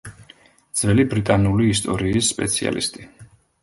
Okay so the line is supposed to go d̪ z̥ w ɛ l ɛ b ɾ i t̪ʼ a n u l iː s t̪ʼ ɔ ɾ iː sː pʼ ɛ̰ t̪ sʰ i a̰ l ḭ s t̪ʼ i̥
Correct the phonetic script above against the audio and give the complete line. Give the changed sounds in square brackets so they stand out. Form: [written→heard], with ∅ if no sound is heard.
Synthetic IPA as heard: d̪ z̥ [w→v] ɛ l [ɛ→i] b ɾ i t̪ʼ a n u l iː s t̪ʼ ɔ ɾ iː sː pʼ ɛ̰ t̪ sʰ i a̰ l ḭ s t̪ʼ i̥